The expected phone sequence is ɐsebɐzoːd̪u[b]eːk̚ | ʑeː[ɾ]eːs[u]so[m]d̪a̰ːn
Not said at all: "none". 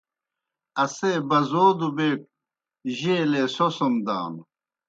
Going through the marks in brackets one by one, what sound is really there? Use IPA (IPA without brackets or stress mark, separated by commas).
b, l, o, m